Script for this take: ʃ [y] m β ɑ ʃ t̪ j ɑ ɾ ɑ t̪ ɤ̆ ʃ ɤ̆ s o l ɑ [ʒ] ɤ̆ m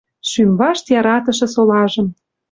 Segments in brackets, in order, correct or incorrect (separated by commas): correct, correct